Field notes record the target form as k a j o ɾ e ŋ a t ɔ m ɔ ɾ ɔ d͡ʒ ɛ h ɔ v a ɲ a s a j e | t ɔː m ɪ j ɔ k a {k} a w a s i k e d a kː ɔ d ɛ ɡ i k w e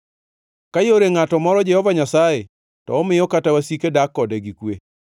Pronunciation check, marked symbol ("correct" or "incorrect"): incorrect